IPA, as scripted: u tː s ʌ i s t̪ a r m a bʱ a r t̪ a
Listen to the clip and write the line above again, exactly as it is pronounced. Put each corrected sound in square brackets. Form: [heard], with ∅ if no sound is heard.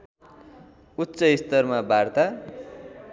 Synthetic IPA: u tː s ʌ i s t̪ [ʌ] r m a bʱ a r t̪ a